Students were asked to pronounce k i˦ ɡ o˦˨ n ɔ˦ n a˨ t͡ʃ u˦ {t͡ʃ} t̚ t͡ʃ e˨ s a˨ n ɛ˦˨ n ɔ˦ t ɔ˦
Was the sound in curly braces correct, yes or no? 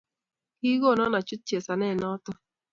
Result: no